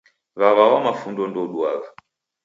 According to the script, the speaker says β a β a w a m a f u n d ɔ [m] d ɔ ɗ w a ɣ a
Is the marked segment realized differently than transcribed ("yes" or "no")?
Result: yes